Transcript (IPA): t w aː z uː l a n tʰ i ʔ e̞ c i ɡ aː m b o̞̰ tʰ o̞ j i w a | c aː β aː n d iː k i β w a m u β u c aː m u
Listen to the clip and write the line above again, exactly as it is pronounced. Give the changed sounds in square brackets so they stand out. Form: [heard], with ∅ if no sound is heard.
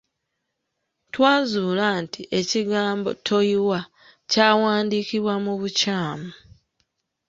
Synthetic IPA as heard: t w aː z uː l a n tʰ i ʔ e̞ c i ɡ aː m b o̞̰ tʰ o̞ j i w a | c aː [w] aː n d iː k i β w a m u β u c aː m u